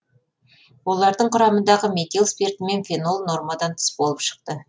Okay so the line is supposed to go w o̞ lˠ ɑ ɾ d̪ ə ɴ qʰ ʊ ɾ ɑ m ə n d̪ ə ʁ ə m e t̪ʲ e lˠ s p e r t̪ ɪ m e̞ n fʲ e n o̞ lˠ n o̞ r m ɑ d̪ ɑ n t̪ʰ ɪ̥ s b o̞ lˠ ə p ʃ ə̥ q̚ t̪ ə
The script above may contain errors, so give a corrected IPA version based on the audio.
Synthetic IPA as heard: w o̞ lˠ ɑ ɾ d̪ ə ɴ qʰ ʊ ɾ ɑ m ə n d̪ ɑ ʁ ə m e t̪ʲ e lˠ s p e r t̪ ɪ m e̞ n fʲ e n o̞ lˠ n o̞ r m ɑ d̪ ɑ n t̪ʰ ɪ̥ s b o̞ lˠ ə p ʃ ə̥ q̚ t̪ ə